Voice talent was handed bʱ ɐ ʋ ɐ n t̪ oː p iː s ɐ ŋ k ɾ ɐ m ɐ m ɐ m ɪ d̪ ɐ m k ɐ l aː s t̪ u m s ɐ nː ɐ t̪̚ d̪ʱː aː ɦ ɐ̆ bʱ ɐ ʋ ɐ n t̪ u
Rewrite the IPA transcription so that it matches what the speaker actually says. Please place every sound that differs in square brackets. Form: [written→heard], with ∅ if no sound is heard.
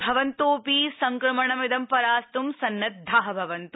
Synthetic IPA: bʱ ɐ ʋ ɐ n t̪ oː p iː s ɐ ŋ k ɾ ɐ m ɐ [m→ɳ] ɐ m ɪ d̪ ɐ m [k→p] ɐ [l→ɾ] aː s t̪ u m s ɐ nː ɐ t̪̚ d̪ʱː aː ɦ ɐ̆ bʱ ɐ ʋ ɐ n t̪ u